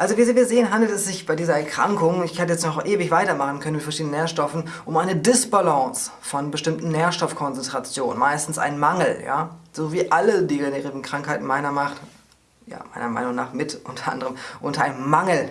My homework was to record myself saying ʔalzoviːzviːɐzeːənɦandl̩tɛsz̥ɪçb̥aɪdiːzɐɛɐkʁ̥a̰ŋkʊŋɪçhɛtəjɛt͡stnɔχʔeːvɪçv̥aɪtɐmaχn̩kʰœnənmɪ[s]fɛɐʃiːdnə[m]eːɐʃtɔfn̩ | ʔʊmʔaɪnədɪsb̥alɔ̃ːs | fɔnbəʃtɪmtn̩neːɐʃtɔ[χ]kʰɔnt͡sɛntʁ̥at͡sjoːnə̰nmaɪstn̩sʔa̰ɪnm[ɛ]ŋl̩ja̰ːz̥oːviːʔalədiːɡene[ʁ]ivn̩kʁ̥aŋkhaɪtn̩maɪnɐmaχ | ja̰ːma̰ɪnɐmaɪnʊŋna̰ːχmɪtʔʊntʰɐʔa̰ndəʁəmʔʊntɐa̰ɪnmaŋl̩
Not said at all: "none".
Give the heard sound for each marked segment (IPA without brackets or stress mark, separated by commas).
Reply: t, n, f, a, ʁ